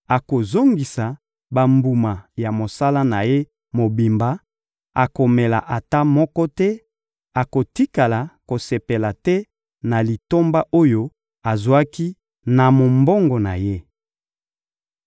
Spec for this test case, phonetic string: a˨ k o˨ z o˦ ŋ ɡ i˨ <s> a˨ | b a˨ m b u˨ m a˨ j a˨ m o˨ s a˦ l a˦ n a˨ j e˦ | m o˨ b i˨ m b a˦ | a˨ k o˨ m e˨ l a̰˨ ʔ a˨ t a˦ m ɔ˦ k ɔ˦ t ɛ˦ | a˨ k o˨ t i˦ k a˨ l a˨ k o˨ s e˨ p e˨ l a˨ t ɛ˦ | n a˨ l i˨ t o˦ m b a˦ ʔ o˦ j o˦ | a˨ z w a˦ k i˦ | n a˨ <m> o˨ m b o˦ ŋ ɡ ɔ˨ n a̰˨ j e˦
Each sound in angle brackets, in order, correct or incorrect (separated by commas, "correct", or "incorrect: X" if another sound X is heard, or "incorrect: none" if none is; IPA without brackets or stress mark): correct, correct